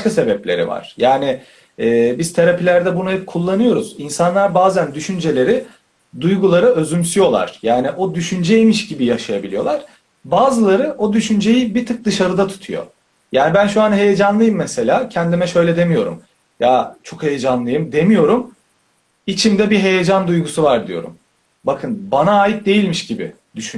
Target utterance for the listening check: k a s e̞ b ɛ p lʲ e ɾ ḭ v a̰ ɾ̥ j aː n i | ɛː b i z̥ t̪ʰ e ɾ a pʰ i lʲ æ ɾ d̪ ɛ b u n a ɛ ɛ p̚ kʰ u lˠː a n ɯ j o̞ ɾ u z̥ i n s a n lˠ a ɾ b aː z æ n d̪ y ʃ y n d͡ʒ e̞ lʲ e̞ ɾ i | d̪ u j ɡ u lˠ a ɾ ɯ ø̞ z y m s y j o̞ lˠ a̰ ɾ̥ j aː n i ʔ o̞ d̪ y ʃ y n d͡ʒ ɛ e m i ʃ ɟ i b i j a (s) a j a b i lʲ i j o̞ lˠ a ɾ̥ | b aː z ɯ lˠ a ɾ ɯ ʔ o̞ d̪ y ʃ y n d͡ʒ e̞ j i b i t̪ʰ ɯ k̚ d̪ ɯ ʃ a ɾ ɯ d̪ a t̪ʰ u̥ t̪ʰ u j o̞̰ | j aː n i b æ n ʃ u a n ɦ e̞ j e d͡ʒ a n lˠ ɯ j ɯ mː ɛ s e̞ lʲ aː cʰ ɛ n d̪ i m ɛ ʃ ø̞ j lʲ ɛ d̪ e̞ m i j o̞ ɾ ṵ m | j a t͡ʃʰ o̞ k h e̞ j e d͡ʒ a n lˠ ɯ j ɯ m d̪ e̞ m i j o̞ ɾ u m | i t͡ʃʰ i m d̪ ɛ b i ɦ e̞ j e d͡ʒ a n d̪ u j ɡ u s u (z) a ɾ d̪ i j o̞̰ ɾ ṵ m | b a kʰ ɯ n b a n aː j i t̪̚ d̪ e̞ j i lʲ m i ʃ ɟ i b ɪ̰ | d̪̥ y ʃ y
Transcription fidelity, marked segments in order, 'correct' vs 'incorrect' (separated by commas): incorrect, incorrect